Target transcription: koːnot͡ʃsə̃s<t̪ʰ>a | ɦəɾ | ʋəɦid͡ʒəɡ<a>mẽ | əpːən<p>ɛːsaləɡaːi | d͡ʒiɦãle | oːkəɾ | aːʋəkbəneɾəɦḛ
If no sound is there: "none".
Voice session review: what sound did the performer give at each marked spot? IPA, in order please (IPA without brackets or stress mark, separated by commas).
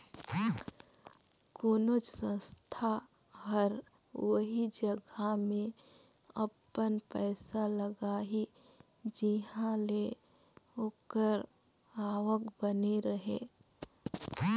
t̪ʰ, a, p